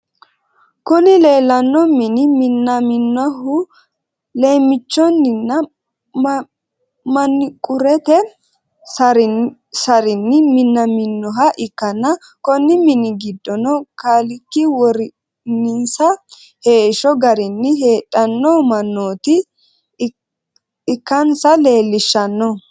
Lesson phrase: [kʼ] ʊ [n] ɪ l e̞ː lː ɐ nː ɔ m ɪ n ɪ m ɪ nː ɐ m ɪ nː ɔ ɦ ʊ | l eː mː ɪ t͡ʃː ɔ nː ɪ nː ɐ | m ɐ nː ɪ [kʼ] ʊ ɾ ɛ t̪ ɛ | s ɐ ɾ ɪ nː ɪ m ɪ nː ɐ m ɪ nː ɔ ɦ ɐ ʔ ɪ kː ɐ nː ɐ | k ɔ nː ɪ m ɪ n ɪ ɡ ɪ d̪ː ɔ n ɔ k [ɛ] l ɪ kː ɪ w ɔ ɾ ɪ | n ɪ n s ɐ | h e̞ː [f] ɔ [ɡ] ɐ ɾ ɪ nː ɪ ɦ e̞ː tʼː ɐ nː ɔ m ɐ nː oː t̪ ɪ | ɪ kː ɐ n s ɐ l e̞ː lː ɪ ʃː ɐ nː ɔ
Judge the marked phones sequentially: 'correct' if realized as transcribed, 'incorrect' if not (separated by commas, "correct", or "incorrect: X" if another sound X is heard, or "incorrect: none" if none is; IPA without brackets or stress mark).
incorrect: k, correct, correct, incorrect: a, incorrect: ʃ, correct